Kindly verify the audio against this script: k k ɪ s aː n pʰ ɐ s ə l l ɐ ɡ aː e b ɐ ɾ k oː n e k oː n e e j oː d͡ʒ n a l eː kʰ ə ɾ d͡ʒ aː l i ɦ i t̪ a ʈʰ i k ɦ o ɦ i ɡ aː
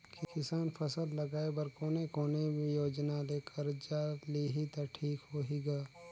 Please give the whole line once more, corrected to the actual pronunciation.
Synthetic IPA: k k ɪ s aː n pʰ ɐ s ə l l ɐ ɡ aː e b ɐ ɾ k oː n e k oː n e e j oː d͡ʒ n a l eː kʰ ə ɾ d͡ʒ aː l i ɦ i t̪ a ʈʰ iː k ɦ o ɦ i ɡ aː